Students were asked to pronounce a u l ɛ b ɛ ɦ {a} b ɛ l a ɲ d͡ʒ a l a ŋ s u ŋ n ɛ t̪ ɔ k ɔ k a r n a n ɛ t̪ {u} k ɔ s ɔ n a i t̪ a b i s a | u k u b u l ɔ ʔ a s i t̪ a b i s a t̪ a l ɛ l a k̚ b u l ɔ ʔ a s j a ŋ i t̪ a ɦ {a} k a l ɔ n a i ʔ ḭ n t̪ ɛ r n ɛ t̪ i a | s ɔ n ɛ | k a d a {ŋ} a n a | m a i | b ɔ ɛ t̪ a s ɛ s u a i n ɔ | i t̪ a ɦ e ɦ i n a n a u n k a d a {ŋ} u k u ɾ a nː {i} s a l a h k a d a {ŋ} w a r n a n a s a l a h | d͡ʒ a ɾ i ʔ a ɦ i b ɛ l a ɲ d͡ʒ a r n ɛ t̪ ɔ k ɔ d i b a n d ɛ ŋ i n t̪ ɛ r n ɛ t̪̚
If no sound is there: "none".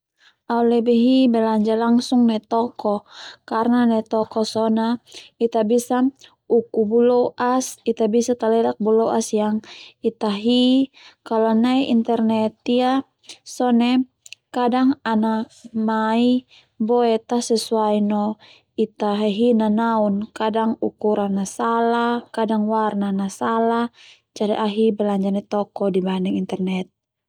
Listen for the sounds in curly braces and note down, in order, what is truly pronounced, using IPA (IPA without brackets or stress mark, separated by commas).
i, ɔ, i, ŋ, ŋ, a, ŋ